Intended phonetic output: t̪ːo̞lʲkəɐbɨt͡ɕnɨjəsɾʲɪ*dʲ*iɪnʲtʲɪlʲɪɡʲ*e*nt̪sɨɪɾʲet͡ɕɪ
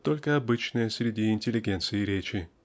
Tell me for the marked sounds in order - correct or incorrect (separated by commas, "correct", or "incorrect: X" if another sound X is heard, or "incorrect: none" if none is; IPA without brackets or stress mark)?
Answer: correct, correct